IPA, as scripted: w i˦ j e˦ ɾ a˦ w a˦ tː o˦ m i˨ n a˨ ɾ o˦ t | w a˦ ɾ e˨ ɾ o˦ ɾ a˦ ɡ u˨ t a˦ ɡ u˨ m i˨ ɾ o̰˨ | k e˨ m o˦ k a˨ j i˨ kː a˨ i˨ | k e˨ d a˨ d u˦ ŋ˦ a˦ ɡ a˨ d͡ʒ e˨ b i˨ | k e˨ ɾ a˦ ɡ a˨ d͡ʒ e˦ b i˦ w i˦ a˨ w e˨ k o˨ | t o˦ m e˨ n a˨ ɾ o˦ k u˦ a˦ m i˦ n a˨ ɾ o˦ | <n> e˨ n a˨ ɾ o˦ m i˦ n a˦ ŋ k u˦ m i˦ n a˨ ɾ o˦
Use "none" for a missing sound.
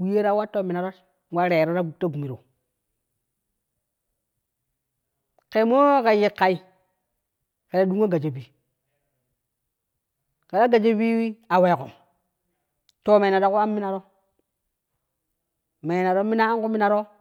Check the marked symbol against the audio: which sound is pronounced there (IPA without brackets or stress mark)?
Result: m